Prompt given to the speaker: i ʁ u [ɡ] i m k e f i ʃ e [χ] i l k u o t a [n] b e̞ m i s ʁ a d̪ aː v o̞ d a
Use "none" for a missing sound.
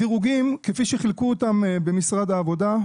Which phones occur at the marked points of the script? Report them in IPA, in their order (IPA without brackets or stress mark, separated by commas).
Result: ɡ, χ, m